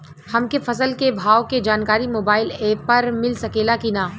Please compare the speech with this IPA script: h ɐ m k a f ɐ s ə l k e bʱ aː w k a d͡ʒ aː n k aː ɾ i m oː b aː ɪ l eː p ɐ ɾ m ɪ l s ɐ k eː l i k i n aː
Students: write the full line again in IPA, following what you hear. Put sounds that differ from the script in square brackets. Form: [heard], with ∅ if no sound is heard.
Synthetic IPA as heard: h ɐ m k [e] f ɐ s ə l k e bʱ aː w k [e] d͡ʒ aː n k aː ɾ i m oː b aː ɪ l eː p ɐ ɾ m ɪ l s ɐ k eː l [a] k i n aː